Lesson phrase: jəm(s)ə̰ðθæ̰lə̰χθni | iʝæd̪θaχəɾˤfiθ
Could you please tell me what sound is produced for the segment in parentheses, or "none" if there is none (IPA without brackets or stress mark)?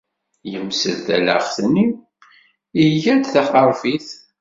s